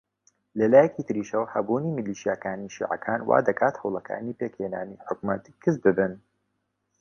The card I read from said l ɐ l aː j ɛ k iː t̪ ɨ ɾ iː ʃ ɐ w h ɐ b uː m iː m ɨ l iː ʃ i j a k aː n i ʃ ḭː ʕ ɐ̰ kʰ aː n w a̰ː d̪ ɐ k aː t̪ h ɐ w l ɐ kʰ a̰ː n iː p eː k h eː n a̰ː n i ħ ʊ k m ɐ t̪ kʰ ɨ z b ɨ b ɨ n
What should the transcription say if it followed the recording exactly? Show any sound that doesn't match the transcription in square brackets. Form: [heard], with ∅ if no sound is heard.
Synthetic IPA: l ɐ l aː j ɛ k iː t̪ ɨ ɾ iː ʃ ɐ w h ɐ b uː [n] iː m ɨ l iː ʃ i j a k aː n i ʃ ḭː ʕ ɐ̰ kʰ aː n w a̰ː d̪ ɐ k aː t̪ h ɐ w l ɐ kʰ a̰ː n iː p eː k h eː n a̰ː n i ħ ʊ k m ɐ t̪ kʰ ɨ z b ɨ b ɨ n